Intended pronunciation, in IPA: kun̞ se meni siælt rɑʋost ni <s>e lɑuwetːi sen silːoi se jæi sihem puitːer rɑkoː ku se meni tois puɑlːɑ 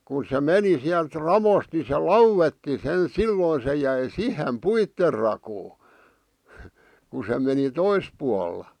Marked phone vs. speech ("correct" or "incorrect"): correct